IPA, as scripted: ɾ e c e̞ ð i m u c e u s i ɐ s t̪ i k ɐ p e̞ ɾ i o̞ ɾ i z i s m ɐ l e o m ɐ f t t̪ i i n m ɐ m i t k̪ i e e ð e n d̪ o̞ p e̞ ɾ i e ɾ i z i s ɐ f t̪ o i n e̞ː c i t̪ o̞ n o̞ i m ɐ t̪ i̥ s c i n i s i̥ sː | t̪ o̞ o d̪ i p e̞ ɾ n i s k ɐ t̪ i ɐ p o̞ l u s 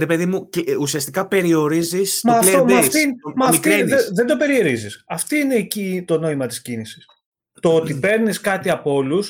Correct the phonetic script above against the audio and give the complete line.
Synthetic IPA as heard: ɾ e p e̞ ð i m u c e u s i ɐ s t̪ i k ɐ p e̞ ɾ i o̞ ɾ i z i s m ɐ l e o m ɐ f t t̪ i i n m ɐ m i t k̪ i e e ð e n d̪ o̞ p e̞ ɾ i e ɾ i z i s ɐ f t̪ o i n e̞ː c i t̪ o̞ n o̞ i m ɐ t̪ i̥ s c i n i s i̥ s | t̪ o̞ o t̪ i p e̞ ɾ n i s k ɐ t̪ i ɐ p o̞ l u s